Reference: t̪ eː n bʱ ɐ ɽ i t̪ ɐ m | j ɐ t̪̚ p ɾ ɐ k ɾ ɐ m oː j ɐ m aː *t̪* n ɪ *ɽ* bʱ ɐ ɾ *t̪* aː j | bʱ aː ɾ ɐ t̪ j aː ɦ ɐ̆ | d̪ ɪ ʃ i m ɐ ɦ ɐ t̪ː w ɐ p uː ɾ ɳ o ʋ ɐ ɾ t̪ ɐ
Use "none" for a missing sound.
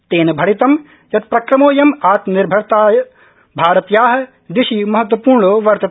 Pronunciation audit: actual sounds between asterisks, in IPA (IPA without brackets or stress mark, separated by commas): t̪, ɾ, t̪